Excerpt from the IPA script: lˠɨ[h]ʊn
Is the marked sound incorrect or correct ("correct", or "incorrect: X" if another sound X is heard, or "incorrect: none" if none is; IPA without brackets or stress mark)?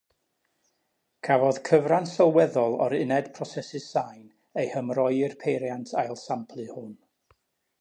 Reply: correct